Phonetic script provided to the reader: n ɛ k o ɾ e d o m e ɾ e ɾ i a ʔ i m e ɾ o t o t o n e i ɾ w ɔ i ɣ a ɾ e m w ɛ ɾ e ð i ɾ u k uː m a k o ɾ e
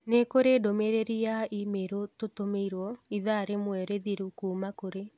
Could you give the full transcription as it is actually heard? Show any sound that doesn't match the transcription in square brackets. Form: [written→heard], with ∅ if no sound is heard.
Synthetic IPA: n [ɛ→e] k o ɾ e d o m e ɾ e ɾ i a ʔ i m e ɾ o t o t o [n→m] e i ɾ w ɔ i [ɣ→ð] a ɾ e m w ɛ ɾ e ð i ɾ u k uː m a k o ɾ e